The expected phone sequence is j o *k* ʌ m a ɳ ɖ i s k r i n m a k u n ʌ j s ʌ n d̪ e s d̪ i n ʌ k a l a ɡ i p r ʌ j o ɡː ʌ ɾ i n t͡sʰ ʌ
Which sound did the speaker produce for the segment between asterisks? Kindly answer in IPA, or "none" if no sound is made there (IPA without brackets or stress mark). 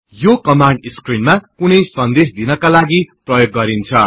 k